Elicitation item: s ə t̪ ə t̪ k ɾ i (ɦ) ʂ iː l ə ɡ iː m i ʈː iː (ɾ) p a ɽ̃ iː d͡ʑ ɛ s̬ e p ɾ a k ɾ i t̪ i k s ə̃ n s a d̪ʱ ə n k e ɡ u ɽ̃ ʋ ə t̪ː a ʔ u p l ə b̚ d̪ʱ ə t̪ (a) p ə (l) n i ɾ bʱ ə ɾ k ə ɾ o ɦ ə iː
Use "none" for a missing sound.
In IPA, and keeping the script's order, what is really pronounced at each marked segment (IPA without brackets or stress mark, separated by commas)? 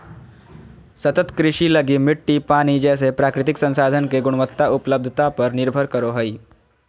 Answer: none, none, a, ɾ